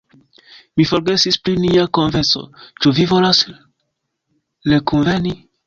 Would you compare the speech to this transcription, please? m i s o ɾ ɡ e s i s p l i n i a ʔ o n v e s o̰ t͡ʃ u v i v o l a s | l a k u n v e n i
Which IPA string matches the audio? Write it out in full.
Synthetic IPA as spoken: m i f o ɾ ɡ e s i s p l i n i a k o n v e s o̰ t͡ʃ u v i v o l a s | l e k u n v e n i